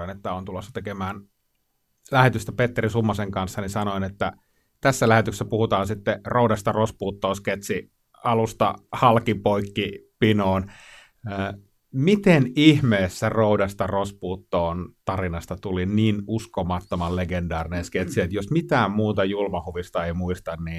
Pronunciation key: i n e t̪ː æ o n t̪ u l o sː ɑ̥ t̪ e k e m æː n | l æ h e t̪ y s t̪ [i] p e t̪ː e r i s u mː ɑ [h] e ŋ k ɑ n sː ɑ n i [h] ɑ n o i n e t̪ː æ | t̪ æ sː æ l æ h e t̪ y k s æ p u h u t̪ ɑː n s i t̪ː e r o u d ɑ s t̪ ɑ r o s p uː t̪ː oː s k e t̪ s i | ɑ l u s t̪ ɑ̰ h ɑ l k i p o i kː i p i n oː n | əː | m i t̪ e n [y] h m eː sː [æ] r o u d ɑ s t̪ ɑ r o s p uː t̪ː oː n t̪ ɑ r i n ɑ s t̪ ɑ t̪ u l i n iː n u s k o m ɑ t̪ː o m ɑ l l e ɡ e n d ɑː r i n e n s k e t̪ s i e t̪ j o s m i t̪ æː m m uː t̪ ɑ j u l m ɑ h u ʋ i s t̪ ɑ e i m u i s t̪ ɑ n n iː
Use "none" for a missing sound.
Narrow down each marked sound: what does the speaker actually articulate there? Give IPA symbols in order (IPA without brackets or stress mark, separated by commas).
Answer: æ, s, s, i, æ